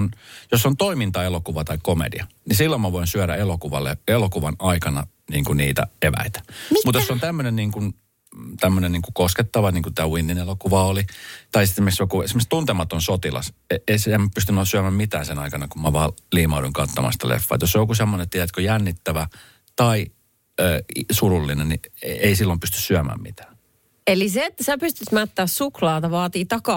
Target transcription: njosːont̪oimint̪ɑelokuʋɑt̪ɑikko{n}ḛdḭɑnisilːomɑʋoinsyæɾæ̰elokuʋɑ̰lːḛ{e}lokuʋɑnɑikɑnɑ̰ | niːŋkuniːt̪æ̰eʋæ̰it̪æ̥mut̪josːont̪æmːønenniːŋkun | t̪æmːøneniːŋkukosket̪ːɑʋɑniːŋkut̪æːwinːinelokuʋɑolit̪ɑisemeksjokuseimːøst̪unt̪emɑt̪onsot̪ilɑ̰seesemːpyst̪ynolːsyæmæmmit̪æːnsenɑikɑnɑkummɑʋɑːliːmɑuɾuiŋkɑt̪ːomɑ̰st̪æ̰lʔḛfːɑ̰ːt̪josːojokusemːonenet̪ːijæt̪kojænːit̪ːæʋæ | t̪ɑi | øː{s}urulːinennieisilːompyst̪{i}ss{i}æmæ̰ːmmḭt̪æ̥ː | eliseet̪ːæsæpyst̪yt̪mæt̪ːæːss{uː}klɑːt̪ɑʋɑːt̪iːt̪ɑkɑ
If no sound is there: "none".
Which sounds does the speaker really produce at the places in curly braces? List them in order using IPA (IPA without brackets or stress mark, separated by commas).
m, e, s, y, y, u